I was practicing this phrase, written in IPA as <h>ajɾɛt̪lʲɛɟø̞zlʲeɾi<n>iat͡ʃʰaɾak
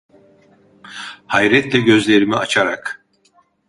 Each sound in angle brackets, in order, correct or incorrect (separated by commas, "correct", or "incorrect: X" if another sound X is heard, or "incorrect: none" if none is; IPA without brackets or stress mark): correct, incorrect: m